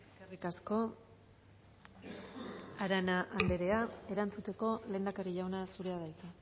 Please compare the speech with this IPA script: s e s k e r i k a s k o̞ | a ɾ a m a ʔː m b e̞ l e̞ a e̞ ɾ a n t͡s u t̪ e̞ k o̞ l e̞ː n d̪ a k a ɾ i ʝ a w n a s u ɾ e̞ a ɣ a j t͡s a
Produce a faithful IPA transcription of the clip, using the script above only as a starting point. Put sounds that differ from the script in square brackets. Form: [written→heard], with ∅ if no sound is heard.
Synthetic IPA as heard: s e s k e r i k a s k o̞ | a ɾ a [m→n] a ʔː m b e̞ [l→ɾ] e̞ a e̞ ɾ a n t͡s u t̪ e̞ k o̞ l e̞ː n d̪ a k a ɾ i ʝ a w n a s u ɾ e̞ a [ɣ→ð] a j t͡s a